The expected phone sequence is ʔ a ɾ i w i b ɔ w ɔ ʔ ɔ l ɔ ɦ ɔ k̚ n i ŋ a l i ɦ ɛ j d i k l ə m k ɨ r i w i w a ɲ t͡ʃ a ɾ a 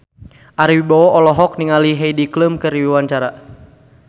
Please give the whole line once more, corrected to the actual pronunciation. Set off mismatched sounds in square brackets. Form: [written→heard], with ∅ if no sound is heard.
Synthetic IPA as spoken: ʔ a ɾ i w i b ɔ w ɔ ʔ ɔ l ɔ ɦ ɔ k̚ n i ŋ a l i ɦ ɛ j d i k l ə m k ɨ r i w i w a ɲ t͡ʃ a ɾ a